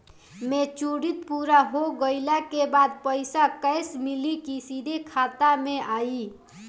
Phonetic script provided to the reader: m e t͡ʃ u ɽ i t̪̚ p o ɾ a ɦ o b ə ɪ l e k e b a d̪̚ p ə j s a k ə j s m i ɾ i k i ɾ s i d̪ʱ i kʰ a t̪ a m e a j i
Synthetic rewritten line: m e t͡ʃ u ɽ i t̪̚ p u ɾ a ɦ o ɡ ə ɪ l a k e b a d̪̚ p ə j s a k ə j s m i l i k i s i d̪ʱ e kʰ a t̪ a m e a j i